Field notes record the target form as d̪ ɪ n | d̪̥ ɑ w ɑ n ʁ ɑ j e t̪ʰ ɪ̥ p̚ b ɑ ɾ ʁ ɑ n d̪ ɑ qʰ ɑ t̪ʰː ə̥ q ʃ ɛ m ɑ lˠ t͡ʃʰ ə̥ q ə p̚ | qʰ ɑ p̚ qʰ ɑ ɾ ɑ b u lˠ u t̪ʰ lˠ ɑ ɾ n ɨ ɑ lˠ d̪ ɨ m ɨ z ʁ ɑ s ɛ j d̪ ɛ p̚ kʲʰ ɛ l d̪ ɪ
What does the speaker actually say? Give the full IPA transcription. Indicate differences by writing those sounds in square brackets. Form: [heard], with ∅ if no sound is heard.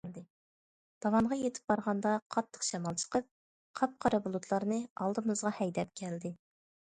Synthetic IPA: d̪ ɪ [∅] | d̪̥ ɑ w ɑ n ʁ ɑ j e t̪ʰ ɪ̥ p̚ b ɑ ɾ ʁ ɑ n d̪ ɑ qʰ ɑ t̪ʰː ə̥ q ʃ ɛ m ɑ lˠ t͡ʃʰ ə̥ q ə p̚ | qʰ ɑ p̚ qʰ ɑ ɾ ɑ b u lˠ u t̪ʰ lˠ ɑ ɾ n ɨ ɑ lˠ d̪ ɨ m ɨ z ʁ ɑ [h] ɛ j d̪ ɛ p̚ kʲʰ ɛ l d̪ ɪ